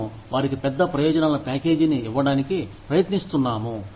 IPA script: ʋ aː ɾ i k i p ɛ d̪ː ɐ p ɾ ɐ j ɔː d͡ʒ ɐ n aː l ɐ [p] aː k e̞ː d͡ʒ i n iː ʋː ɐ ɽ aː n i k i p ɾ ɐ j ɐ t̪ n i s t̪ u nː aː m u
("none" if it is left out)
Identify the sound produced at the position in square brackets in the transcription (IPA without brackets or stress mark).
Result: p